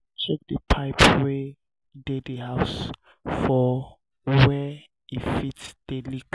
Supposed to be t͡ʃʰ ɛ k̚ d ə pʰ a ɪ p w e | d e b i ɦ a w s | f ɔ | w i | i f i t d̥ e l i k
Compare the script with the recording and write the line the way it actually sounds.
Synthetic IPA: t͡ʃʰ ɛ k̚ d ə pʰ a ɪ p w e | d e d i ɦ a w s | f ɔ | w ɛ | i f i t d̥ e l i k